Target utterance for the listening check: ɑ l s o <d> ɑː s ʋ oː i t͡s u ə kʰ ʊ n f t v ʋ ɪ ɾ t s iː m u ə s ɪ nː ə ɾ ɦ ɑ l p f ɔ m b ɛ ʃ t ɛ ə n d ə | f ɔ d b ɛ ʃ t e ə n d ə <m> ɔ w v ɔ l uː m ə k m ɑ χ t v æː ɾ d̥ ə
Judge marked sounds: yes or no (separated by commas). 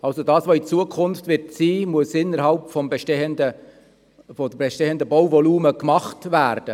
yes, no